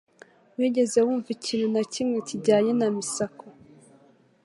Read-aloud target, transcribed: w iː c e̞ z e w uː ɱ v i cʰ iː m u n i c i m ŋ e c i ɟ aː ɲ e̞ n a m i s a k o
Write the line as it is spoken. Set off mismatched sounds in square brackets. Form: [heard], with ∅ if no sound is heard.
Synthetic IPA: w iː [ɟ] e̞ z e w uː ɱ v i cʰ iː [n] u n [a] c i m ŋ e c i ɟ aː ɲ e̞ n a m i s a k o